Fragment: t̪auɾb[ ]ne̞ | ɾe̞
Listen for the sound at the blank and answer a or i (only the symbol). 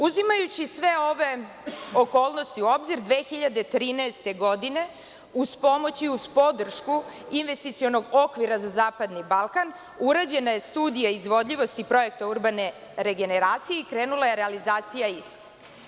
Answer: a